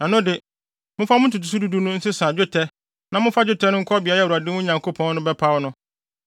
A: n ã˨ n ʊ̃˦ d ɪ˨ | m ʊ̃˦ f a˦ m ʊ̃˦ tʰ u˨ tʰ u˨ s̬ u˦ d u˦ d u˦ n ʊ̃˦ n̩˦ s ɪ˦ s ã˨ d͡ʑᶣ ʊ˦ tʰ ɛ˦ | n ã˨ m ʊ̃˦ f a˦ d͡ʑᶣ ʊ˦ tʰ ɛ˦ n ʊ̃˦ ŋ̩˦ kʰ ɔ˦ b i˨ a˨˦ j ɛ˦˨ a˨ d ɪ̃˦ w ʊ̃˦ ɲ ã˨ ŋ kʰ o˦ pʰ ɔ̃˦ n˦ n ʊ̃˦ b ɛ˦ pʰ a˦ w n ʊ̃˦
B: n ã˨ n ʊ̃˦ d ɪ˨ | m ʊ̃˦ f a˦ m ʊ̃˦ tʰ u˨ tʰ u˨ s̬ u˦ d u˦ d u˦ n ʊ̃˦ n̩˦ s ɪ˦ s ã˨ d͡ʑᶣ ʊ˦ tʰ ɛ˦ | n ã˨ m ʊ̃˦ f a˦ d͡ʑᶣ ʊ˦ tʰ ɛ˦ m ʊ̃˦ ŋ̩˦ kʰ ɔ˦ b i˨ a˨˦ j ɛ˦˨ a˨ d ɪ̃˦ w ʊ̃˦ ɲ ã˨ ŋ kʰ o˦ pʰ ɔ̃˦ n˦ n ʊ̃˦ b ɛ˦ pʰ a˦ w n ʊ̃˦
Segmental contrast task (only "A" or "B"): A